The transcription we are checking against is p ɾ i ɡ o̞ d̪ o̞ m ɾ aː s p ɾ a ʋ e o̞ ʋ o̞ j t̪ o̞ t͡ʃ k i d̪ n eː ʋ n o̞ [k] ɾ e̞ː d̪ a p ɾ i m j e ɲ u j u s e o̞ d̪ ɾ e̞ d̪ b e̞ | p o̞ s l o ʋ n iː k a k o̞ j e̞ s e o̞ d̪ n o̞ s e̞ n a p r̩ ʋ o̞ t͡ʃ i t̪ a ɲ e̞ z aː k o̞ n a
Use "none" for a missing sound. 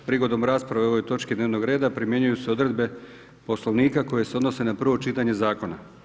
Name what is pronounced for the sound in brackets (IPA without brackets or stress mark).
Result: ɡ